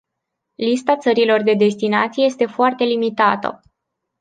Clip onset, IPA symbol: l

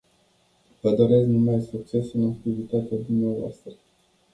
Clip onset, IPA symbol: v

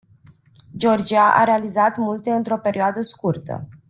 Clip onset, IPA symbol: d͡ʒ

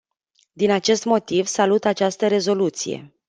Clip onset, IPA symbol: d̪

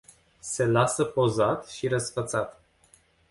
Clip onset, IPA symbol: s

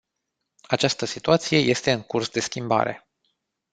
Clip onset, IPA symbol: a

